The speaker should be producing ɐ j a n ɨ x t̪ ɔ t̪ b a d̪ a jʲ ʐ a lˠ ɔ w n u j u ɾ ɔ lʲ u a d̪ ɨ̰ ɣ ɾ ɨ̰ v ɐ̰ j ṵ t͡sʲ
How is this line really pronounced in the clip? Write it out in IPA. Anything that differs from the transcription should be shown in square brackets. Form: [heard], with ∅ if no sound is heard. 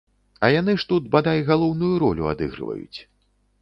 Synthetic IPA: ɐ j a n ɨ [ʂ] t̪ [u] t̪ b a d̪ a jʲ [ɣ] a lˠ ɔ w n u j u ɾ ɔ lʲ u a d̪ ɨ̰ ɣ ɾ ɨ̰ v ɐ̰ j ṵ t͡sʲ

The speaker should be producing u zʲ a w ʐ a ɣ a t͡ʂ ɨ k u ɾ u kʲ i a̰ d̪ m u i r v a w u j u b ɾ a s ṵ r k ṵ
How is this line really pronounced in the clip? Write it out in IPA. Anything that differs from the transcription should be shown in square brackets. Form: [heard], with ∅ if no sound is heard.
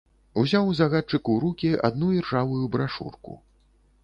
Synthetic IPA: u zʲ a w [z] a ɣ a t͡ʂ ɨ k u ɾ u kʲ i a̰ d̪ [n] u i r [ʐ] a [v] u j u b ɾ a [ʂ] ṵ r k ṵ

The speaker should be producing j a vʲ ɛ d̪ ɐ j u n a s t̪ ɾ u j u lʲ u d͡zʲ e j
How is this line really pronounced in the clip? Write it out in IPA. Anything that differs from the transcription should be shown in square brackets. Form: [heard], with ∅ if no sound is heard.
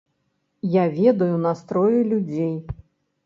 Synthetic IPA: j a vʲ ɛ d̪ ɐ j u n a s t̪ ɾ [ɔ] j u lʲ u d͡zʲ e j

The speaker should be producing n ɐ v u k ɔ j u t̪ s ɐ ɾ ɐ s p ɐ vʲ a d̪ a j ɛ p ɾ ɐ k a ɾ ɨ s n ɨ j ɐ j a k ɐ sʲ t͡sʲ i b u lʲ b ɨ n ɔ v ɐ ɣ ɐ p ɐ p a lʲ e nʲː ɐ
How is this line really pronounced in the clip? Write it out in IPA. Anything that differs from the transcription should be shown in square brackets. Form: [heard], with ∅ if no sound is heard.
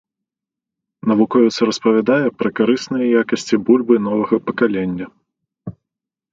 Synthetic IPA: n ɐ v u k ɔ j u t̪ s ɐ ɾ ɐ s p ɐ vʲ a d̪ a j ɛ p ɾ ɐ k a ɾ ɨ s n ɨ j ɐ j a k ɐ sʲ t͡sʲ i b u lʲ b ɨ n ɔ v ɐ ɣ ɐ p ɐ [k] a lʲ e nʲː ɐ

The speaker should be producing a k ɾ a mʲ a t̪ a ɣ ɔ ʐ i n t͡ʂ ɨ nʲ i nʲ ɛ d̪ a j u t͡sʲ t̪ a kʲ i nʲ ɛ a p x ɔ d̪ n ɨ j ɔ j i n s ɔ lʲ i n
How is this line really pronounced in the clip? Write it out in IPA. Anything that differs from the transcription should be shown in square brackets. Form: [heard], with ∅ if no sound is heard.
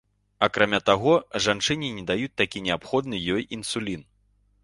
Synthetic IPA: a k ɾ a mʲ a t̪ a ɣ ɔ ʐ [a] n t͡ʂ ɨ nʲ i nʲ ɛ d̪ a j u t͡sʲ t̪ a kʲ i nʲ ɛ a p x ɔ d̪ n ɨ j ɔ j i n s [u] lʲ i n

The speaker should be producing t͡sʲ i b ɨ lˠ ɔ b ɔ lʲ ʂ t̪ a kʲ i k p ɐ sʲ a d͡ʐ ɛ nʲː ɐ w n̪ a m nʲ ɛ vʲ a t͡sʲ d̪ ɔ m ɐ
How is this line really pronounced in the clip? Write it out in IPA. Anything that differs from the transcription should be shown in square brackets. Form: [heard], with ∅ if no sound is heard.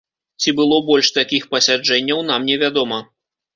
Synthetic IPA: t͡sʲ i b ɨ lˠ ɔ b ɔ lʲ ʂ t̪ a kʲ i [x] p ɐ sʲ a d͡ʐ ɛ nʲː ɐ w n̪ a m nʲ ɛ vʲ a [∅] d̪ ɔ m ɐ

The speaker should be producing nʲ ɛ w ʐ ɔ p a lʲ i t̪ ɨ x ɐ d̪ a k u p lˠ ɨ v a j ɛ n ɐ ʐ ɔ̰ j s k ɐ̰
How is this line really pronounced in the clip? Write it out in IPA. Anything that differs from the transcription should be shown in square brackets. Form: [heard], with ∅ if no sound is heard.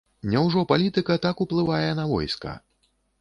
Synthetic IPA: nʲ ɛ w ʐ ɔ p a lʲ i t̪ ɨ [k] ɐ [t̪] a k u p lˠ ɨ v a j ɛ n ɐ [v] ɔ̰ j s k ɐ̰

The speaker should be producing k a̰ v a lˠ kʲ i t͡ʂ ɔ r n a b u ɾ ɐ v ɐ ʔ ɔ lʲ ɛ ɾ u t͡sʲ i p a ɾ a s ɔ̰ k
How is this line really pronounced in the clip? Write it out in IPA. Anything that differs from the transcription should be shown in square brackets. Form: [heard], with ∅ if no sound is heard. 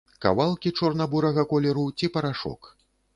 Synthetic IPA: k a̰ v a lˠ kʲ i t͡ʂ ɔ r n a b u ɾ ɐ [ɣ] ɐ [k] ɔ lʲ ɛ ɾ u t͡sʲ i p [ɐ] ɾ a [ʂ] ɔ̰ k

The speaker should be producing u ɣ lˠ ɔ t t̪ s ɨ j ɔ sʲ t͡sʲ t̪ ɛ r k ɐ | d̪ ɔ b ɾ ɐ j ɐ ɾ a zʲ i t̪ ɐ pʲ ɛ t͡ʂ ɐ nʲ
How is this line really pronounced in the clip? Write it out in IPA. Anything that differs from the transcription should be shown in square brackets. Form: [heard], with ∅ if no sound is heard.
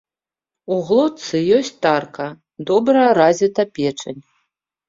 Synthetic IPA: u ɣ lˠ ɔ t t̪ s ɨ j ɔ sʲ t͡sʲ t̪ [a] r k ɐ | d̪ ɔ b ɾ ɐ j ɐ ɾ a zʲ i t̪ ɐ pʲ ɛ t͡ʂ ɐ nʲ

